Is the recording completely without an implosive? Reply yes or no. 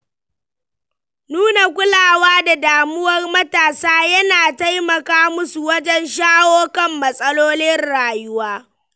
yes